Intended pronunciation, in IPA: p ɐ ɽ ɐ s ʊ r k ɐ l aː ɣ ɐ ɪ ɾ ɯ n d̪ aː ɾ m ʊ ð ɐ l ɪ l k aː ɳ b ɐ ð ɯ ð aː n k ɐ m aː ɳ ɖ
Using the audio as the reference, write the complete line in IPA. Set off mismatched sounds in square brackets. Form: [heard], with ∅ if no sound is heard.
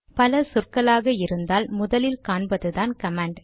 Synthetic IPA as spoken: p ɐ [l] ɐ s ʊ r k ɐ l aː ɣ ɐ ɪ ɾ ɯ n d̪ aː [l] m ʊ ð ɐ l ɪ l k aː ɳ b ɐ ð ɯ ð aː n k ɐ m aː ɳ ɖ